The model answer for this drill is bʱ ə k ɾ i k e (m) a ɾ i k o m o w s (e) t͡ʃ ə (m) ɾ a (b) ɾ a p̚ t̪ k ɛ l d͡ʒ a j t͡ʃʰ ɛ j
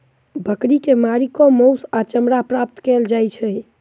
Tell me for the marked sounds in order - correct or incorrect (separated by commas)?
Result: correct, incorrect, correct, incorrect